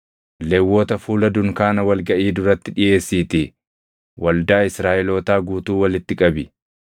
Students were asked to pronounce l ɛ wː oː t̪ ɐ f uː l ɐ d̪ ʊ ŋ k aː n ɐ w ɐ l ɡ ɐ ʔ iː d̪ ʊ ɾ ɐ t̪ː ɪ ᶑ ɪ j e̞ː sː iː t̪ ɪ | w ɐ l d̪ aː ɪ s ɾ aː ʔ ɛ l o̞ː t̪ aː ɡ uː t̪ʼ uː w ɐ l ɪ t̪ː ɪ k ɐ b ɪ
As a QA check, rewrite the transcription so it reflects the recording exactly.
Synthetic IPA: l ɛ wː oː t̪ ɐ f uː l ɐ d̪ ʊ ŋ k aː n ɐ w ɐ l ɡ ɐ ʔ iː d̪ ʊ ɾ ɐ t̪ː ɪ ᶑ ɪ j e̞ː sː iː t̪ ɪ | w ɐ l d̪ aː ɪ s ɾ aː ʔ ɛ l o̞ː t̪ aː ɡ uː t̪ uː w ɐ l ɪ t̪ː ɪ kʼ ɐ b ɪ